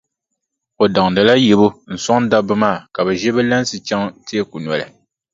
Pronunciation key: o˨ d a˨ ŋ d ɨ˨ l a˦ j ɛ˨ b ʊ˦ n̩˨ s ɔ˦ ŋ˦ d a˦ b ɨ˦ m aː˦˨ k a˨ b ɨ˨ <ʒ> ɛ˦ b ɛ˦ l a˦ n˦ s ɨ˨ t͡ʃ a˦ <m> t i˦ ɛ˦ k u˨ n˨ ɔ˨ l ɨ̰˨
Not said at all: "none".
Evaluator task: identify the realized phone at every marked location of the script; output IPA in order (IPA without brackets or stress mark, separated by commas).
ʒ, ŋ